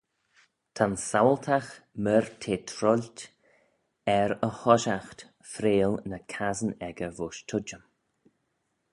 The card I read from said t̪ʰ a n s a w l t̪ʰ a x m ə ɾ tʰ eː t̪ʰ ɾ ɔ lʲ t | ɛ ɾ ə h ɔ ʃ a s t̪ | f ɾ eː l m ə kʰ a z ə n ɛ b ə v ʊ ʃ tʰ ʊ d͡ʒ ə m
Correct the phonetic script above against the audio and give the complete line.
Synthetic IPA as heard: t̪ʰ a n s a w l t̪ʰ a x m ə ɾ tʰ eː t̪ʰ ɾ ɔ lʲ t | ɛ ɾ ə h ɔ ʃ a x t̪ | f ɾ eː l n ə kʰ a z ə n ɛ ɡ ə v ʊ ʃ tʰ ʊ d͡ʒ ə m